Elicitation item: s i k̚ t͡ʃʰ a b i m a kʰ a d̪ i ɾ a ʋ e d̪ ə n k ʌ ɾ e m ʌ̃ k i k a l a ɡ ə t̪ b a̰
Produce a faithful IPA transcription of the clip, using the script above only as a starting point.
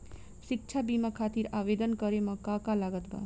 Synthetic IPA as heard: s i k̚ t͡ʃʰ a b i m a kʰ a t̪ i ɾ a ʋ e d̪ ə n k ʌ ɾ e m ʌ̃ k a k a l a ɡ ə t̪ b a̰